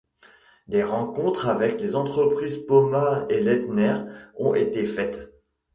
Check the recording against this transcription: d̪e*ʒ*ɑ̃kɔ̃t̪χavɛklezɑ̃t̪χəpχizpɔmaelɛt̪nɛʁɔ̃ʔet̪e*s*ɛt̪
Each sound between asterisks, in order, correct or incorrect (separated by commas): incorrect, incorrect